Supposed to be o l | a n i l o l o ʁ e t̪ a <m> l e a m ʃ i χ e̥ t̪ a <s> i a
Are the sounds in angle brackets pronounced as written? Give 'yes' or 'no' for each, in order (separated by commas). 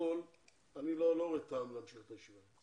yes, no